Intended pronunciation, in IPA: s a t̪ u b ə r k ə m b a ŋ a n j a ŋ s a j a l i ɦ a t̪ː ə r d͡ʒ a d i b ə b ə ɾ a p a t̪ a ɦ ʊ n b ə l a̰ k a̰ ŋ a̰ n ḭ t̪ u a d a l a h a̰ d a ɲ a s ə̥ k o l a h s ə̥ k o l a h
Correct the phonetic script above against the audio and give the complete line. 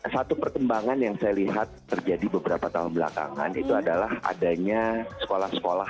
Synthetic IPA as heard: s a t̪ u p ə r k ə m b a ŋ a n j a ŋ s a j a l i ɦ a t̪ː ə r d͡ʒ a d i b ə b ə ɾ a p a t̪ a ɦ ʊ n b ə l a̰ k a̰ ŋ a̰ n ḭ t̪ u a d a l a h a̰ d a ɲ a s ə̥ k o l a h s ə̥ k o l a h